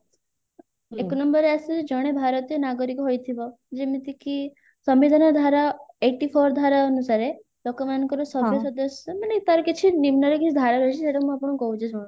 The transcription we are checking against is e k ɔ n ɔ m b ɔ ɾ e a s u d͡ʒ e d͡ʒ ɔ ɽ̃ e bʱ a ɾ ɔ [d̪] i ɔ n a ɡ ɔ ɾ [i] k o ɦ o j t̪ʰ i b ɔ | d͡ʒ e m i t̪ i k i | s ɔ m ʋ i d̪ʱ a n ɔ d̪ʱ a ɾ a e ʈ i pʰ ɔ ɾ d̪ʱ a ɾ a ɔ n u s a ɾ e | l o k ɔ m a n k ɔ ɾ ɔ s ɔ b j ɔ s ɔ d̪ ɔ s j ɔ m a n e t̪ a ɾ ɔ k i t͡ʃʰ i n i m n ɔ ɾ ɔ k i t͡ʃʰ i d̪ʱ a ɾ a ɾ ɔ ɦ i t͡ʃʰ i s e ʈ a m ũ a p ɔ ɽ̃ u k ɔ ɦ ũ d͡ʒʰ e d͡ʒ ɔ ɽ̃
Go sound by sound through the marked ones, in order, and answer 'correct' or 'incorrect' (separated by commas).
incorrect, correct